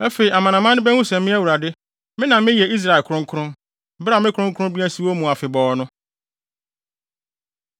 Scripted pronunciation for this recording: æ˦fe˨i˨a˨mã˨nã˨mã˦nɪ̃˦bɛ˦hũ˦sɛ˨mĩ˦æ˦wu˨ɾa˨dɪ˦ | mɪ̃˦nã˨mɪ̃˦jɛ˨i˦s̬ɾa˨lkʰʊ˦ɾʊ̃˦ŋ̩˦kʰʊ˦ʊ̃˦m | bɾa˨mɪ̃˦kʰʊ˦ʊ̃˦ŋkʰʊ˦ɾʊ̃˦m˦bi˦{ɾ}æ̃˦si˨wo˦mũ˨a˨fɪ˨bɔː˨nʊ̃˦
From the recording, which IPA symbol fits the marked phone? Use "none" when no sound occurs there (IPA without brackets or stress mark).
none